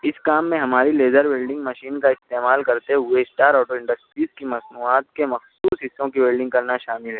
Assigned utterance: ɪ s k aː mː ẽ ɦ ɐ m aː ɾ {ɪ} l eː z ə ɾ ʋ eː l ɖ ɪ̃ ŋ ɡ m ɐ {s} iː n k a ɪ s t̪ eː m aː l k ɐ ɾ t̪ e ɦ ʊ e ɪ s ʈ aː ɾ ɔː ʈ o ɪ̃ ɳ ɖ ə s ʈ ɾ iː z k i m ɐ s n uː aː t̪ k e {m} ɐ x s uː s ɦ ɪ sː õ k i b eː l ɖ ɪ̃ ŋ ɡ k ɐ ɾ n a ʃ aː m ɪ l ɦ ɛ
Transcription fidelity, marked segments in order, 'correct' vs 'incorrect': incorrect: i, incorrect: ʃ, correct

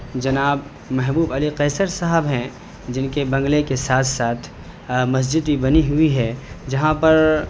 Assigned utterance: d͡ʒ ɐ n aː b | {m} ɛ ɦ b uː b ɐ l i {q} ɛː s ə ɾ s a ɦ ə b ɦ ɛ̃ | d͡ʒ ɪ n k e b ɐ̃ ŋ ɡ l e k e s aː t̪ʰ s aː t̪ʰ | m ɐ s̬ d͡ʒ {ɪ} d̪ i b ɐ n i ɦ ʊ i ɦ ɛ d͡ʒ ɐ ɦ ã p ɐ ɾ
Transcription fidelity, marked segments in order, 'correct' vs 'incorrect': correct, correct, correct

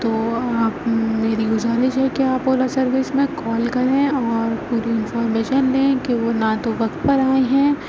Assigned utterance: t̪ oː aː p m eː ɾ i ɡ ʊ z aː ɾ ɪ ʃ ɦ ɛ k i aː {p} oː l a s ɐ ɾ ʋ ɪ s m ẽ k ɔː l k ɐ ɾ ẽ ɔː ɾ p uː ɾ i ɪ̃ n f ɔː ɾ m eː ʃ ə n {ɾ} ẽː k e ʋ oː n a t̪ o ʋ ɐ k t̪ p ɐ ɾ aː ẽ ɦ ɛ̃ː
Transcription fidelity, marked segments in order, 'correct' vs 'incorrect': correct, incorrect: l

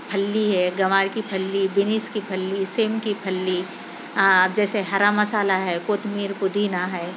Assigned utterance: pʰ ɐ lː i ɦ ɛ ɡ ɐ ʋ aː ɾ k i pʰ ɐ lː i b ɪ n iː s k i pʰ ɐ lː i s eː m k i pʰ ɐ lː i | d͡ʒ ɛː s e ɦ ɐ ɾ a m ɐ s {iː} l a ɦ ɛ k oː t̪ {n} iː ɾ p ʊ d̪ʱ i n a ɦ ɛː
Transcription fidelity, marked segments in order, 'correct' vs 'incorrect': incorrect: aː, incorrect: m

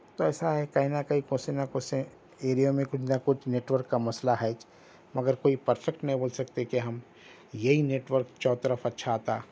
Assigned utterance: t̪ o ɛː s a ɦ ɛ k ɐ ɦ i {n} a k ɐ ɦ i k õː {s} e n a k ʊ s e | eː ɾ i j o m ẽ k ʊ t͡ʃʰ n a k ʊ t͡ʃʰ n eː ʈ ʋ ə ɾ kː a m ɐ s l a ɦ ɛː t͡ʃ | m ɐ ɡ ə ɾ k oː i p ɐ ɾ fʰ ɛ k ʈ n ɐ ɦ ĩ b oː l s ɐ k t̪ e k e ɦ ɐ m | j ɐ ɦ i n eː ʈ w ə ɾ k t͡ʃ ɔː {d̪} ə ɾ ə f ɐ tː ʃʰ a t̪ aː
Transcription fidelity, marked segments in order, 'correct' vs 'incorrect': correct, correct, incorrect: t̪

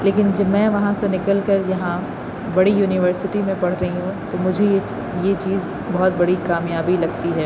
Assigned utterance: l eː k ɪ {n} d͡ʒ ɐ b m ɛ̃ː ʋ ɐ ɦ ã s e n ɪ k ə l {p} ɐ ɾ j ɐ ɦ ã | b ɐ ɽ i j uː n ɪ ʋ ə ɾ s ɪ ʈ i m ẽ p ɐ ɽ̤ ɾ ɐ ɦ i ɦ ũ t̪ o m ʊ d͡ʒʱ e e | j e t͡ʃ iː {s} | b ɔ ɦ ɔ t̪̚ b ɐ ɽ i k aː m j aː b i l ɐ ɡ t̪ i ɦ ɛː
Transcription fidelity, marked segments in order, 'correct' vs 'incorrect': correct, incorrect: k, incorrect: z

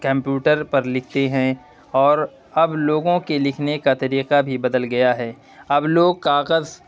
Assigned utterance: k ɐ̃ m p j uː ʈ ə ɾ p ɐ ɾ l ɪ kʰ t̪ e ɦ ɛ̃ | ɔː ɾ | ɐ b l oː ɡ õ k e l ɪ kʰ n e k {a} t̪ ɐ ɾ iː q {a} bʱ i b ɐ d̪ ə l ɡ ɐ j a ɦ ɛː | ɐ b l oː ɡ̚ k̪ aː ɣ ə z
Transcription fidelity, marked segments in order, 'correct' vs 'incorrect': correct, correct

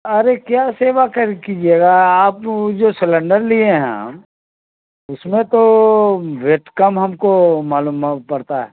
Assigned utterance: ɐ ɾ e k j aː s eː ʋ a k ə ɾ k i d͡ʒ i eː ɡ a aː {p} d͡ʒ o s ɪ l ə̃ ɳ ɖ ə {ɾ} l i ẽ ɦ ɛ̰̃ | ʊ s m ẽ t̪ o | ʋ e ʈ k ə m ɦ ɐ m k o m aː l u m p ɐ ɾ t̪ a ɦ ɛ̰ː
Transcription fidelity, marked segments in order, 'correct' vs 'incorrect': correct, correct

